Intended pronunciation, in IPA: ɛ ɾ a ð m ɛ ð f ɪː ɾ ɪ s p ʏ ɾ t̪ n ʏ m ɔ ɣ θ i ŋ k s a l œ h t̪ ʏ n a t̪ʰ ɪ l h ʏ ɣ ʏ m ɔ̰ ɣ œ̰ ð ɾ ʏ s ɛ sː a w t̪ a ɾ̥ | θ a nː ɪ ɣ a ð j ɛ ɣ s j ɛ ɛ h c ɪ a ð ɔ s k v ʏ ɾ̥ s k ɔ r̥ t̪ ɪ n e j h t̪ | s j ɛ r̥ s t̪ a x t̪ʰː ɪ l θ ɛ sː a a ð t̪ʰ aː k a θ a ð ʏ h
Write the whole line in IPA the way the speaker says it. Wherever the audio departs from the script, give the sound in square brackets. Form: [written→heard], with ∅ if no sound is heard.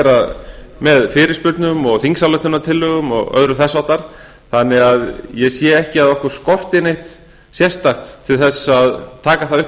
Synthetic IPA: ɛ ɾ a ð m ɛ ð f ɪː ɾ ɪ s p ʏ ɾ t̪ n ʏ m ɔ ɣ θ i ŋ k s a l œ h t̪ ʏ n a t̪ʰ ɪ l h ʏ ɣ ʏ m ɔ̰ ɣ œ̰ ð ɾ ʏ [s→θ] ɛ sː a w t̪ a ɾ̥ | θ a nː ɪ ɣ a ð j ɛ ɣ s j ɛ ɛ h c ɪ a ð ɔ [s→h] k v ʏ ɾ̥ s k ɔ r̥ t̪ ɪ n e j h t̪ | s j ɛ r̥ s t̪ a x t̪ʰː ɪ l θ ɛ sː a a ð t̪ʰ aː k a θ a ð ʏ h